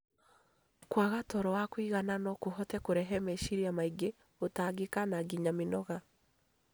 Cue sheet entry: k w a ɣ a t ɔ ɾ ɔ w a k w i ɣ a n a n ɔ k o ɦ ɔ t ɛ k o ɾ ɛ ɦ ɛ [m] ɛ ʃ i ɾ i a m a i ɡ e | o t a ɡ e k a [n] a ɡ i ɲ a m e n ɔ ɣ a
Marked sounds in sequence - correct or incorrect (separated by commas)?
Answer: correct, correct